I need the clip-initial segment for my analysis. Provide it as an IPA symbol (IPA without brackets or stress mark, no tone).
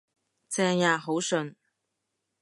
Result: t͡s